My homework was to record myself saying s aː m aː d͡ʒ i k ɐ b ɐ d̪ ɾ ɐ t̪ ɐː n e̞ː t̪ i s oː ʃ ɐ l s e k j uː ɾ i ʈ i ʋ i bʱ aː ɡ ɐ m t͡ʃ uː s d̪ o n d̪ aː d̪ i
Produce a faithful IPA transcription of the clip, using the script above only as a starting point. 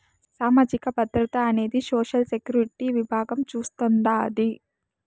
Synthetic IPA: s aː m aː d͡ʒ i k ɐ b ɐ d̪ ɾ ɐ t̪ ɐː n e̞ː d̪ i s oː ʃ ɐ l s e k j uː ɾ i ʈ i ʋ i bʱ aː ɡ ɐ m t͡ʃ uː s t̪ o n d̪ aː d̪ i